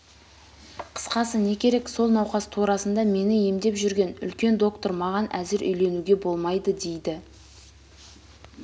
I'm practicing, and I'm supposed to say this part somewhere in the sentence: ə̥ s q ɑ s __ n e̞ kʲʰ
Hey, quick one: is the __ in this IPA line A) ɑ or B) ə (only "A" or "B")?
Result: B